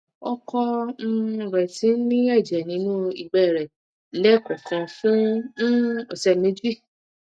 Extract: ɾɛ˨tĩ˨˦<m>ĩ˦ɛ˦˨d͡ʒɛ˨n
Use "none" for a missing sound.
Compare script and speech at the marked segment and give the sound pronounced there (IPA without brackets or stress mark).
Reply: n